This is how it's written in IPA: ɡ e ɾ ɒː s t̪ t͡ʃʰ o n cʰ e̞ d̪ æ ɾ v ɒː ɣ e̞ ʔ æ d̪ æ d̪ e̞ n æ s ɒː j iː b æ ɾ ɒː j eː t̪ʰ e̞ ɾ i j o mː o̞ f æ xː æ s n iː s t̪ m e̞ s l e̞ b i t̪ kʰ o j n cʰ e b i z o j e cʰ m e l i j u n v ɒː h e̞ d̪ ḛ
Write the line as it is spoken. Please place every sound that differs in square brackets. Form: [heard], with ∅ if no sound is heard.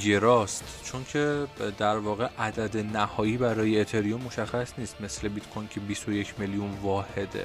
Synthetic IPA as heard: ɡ e ɾ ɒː s t̪ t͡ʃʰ o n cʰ e̞ d̪ æ ɾ v ɒː ɣ e̞ ʔ æ d̪ æ d̪ e̞ n æ [h] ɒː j iː b æ ɾ ɒː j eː t̪ʰ e̞ ɾ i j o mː o̞ [ʃ] æ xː æ s n iː s t̪ m e̞ s l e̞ b i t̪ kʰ o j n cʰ e b i [s] o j e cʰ m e l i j u n v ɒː h e̞ d̪ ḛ